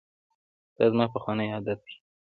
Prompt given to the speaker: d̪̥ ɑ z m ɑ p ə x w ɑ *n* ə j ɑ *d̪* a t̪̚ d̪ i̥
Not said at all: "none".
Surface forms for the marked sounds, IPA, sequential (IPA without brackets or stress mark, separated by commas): n, d̪